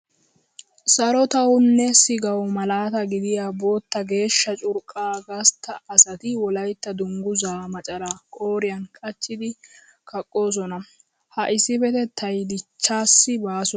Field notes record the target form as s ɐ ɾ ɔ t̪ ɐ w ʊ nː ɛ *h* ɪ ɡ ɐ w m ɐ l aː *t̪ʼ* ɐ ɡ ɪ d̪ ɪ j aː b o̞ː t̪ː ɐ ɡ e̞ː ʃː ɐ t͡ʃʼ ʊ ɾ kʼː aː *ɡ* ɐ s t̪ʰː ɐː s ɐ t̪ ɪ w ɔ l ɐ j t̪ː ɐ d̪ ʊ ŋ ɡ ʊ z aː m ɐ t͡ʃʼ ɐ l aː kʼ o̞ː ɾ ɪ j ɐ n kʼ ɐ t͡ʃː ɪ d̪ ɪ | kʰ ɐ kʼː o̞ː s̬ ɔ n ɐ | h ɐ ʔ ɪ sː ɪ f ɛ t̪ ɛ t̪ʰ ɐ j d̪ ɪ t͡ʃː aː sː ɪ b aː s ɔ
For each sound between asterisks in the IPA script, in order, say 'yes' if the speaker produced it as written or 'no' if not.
no, no, yes

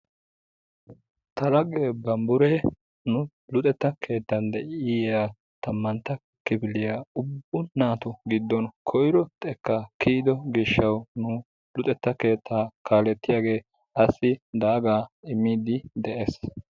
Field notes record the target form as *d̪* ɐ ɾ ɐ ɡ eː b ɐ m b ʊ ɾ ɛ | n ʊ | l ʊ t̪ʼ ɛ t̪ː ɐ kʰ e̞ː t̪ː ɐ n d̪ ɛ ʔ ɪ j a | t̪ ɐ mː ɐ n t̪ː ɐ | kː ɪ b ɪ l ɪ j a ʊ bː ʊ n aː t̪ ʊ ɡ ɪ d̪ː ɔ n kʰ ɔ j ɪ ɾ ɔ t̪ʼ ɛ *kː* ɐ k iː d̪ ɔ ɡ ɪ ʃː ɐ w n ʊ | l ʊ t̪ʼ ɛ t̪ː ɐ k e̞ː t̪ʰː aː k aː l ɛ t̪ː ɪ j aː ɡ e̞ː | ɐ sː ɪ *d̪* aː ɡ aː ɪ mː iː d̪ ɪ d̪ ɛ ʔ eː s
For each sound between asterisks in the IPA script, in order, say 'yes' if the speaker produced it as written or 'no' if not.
no, yes, yes

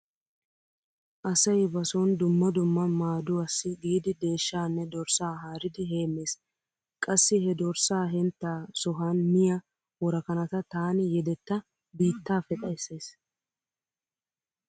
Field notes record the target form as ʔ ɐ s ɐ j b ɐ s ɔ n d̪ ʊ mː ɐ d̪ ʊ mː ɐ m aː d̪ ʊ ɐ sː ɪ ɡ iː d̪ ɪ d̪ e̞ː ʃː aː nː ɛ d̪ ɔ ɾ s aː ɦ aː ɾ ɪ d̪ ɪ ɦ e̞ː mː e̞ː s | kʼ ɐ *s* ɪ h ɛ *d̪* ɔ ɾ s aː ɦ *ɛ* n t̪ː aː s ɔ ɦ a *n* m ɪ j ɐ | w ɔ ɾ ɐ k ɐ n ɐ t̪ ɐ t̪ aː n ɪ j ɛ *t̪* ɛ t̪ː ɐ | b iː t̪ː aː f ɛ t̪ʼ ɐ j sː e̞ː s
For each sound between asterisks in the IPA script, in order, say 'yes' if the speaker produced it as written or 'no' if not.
no, yes, yes, yes, no

